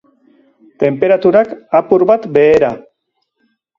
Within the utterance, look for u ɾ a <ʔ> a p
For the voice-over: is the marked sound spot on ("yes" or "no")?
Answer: no